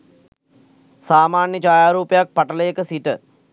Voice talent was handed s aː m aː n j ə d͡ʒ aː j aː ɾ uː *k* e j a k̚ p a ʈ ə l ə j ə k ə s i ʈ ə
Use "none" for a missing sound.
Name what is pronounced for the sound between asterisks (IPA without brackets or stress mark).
p